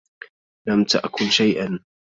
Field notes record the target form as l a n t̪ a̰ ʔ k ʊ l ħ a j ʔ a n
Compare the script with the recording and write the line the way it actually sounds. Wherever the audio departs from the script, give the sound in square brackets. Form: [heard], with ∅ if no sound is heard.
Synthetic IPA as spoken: l a [m] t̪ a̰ ʔ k ʊ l [ʃ] a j ʔ a n